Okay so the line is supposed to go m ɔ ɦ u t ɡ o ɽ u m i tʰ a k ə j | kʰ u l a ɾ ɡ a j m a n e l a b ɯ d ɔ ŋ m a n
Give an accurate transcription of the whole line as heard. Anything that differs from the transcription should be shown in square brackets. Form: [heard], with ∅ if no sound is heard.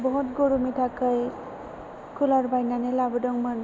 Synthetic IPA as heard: [b] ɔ ɦ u t ɡ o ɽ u m i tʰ a k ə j | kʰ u l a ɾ [b] a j [n] a n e l a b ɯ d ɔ ŋ m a n